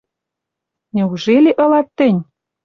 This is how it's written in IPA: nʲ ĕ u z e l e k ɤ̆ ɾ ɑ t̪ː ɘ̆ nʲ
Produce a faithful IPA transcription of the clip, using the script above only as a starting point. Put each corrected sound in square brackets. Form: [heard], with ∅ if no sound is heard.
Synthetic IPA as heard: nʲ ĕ u [ʒ] e l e [ʔ] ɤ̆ [l] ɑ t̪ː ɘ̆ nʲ